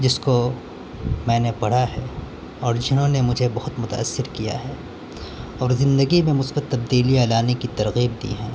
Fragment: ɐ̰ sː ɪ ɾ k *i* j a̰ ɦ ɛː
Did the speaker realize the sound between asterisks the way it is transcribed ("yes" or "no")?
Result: yes